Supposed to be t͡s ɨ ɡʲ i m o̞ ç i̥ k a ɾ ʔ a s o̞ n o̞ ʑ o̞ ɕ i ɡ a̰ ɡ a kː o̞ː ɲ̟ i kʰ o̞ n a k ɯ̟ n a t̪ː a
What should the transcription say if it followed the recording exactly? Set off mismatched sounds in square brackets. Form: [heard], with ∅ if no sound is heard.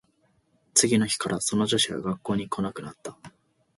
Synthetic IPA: t͡s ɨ ɡʲ i [n] o̞ ç i̥ k a ɾ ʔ a s o̞ n o̞ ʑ o̞ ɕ i ɡ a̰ ɡ a kː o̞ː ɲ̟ i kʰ o̞ n a k ɯ̟ n a t̪ː a